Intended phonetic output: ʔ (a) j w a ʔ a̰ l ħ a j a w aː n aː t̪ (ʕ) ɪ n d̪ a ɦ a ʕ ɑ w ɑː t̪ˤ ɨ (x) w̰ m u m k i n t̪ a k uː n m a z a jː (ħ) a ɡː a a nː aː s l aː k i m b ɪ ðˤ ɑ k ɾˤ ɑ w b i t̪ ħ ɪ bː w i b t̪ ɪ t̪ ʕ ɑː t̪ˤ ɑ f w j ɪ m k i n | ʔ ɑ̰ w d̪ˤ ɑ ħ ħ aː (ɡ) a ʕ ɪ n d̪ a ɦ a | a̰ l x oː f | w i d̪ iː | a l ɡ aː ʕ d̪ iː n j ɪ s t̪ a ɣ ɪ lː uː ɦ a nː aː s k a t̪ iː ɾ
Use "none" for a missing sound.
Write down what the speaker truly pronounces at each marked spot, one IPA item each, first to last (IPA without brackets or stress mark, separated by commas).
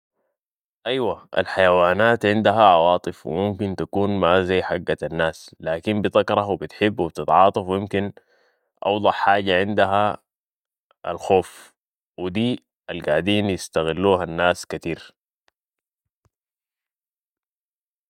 a, ʕ, f, ħ, ɟ